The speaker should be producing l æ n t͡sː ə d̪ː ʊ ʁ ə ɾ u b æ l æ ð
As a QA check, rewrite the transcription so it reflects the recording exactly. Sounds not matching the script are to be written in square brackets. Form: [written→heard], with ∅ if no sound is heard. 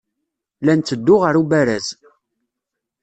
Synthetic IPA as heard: l æ n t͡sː ə d̪ː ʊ ʁ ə ɾ u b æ [l→ɾ] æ [ð→z]